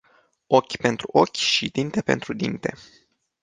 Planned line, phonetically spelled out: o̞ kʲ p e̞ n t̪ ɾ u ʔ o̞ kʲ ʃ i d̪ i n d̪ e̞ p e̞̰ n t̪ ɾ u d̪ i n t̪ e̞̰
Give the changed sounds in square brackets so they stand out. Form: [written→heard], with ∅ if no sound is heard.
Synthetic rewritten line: o̞ kʲ p e̞ n t̪ ɾ u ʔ o̞ kʲ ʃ i d̪ i n [d̪→t̪] e̞ p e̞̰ n t̪ ɾ u d̪ i n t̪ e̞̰